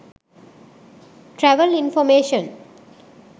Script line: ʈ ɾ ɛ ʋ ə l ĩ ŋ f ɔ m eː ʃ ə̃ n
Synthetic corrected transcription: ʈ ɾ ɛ ʋ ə l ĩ n f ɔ m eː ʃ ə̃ n